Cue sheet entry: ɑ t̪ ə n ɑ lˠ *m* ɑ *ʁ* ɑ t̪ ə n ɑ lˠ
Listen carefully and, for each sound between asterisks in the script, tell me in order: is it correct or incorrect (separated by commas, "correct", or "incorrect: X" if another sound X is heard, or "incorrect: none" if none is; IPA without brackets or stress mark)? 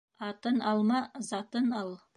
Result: correct, incorrect: z